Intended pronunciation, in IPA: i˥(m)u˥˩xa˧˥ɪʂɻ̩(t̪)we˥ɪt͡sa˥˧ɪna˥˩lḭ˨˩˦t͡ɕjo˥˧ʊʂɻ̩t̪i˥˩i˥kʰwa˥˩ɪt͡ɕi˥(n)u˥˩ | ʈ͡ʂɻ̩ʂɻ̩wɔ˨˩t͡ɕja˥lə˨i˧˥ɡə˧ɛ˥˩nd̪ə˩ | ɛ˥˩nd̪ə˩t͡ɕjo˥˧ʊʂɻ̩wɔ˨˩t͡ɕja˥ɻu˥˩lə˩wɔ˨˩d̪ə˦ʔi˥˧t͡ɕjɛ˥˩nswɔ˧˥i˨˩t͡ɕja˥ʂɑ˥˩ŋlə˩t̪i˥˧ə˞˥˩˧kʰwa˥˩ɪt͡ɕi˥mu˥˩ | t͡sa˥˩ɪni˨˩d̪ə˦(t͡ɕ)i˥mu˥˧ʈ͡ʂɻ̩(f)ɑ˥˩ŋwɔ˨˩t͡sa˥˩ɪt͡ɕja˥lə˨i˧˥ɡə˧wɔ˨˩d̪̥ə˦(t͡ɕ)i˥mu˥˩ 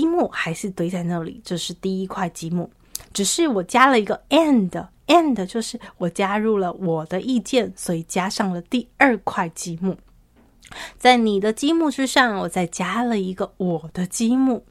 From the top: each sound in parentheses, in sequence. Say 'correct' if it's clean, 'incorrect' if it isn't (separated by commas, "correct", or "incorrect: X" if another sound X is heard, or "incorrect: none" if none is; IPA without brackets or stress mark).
correct, correct, incorrect: m, correct, incorrect: ʂ, correct